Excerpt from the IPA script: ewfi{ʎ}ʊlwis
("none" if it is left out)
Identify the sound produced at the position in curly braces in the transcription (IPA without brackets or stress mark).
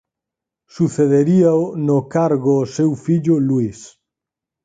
ʎ